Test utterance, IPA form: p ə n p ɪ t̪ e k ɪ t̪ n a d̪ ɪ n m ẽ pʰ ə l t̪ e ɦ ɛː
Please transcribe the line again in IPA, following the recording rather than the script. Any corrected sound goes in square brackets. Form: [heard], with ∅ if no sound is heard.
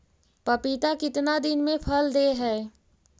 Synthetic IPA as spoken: p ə [∅] p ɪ t̪ [a] k ɪ t̪ n a d̪ ɪ n m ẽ pʰ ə l [d̪] e ɦ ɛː